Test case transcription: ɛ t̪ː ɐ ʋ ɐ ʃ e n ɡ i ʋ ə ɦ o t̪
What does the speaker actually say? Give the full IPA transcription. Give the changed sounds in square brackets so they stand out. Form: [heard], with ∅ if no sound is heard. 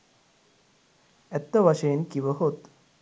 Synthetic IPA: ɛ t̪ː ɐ ʋ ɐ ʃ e n [k] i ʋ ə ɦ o t̪